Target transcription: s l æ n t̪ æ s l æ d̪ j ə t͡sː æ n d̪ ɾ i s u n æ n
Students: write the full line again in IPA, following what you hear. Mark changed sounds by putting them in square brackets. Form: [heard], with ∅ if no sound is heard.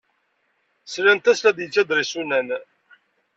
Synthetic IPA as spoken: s l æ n t̪ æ s l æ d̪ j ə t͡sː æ [∅] d̪ ɾ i s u n æ n